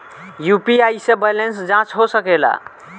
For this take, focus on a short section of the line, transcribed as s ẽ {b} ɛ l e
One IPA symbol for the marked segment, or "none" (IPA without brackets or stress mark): b